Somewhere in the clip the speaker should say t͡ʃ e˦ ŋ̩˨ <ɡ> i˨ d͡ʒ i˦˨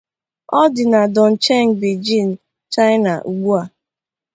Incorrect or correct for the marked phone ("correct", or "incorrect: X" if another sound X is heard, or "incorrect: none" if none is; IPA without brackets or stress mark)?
incorrect: b